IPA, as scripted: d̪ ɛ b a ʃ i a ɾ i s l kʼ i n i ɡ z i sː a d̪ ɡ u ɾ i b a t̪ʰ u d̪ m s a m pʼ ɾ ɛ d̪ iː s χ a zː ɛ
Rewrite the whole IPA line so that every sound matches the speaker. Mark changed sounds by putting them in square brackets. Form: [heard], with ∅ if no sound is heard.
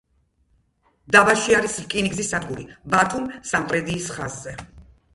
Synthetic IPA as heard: d̪ [a] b a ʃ i a ɾ i s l kʼ i n i ɡ z i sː a d̪ ɡ u ɾ i b a t̪ʰ u [∅] m s a m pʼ ɾ ɛ d̪ iː s χ a zː ɛ